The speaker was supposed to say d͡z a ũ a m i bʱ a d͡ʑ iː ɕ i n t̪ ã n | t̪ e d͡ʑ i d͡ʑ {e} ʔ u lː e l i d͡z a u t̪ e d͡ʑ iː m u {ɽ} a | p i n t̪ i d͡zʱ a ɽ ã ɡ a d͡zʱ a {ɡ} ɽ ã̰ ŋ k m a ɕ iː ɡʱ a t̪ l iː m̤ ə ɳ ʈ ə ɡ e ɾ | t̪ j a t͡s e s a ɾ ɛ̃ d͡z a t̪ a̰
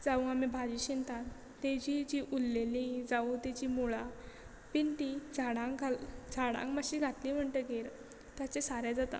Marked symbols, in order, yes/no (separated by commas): no, no, no